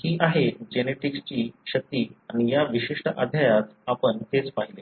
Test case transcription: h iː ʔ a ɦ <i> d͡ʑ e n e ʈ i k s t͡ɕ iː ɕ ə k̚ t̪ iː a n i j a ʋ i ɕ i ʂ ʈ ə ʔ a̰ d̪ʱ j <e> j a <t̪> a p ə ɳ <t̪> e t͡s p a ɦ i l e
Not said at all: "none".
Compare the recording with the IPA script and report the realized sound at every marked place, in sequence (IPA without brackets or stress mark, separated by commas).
e, a, t̪, t̪